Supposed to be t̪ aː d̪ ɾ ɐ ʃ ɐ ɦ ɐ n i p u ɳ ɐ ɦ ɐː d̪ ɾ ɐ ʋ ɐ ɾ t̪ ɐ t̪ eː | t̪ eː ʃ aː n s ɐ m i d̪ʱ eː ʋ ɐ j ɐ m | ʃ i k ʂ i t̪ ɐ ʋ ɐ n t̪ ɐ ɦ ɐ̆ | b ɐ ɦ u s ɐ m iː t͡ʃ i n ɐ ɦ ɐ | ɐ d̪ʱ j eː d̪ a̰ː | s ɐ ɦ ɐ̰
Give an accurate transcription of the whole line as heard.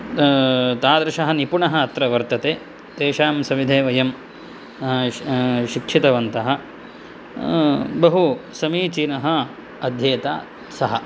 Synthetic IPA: t̪ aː d̪ ɾ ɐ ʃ ɐ ɦ ɐ n i p u ɳ ɐ ɦ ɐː t̪ ɾ ɐ ʋ ɐ ɾ t̪ ɐ t̪ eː | t̪ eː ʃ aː m s ɐ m i d̪ʱ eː ʋ ɐ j ɐ m | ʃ i k ʂ i t̪ ɐ ʋ ɐ n t̪ ɐ ɦ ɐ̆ | b ɐ ɦ u s ɐ m iː t͡ʃ i n ɐ ɦ ɐ | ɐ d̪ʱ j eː t̪ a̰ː | s ɐ ɦ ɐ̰